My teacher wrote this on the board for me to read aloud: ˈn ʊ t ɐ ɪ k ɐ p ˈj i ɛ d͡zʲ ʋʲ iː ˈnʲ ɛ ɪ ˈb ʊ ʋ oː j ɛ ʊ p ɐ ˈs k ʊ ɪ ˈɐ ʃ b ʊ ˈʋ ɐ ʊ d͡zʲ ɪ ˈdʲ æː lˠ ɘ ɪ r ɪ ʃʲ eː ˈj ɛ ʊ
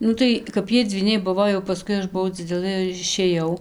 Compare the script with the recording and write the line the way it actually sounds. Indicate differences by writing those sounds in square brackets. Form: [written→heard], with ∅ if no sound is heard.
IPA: ˈn ʊ t ɐ ɪ k ɐ p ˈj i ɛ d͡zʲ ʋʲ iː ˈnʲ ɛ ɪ ˈb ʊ ʋ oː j ɛ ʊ p ɐ ˈs k ʊ ɪ ˈɐ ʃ b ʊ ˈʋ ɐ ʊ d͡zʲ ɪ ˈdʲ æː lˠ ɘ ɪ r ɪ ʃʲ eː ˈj ɛ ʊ